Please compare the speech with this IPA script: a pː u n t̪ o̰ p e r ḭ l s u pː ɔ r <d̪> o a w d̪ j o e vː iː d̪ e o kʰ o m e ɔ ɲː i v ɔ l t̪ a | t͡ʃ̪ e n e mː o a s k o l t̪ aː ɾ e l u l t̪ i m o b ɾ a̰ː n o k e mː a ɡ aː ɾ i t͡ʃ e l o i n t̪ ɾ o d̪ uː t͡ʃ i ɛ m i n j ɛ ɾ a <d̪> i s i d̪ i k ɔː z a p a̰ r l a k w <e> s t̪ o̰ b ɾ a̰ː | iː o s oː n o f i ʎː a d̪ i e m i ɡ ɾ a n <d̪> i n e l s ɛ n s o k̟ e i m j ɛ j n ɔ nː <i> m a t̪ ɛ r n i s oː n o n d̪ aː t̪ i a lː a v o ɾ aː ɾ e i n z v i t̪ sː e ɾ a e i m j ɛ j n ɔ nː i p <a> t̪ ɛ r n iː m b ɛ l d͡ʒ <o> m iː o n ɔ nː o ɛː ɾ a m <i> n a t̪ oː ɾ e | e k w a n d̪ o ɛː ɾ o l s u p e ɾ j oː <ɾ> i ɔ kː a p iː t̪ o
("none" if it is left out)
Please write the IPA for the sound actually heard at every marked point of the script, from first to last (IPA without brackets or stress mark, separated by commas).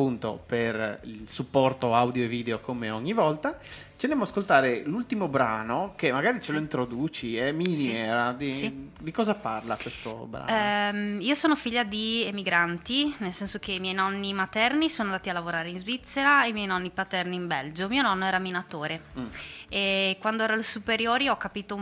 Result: t̪, d̪, e, t̪, i, a, o, i, ɾ